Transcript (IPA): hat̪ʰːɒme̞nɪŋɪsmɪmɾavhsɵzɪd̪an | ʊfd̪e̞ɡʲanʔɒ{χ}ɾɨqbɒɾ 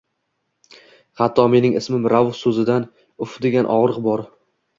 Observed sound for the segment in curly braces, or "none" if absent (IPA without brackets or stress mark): ʁ